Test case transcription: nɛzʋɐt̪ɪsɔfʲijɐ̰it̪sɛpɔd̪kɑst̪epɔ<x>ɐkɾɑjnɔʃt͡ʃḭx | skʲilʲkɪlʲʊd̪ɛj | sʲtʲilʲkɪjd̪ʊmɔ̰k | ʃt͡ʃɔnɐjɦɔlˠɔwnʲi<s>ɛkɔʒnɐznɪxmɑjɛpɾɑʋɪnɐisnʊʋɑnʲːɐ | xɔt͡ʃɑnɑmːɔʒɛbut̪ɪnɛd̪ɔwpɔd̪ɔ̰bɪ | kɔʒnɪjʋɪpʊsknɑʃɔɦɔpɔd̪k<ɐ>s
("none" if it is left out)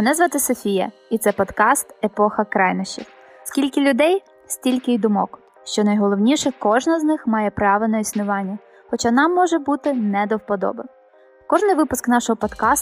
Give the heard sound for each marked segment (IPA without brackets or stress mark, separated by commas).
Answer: x, ʃ, ɑ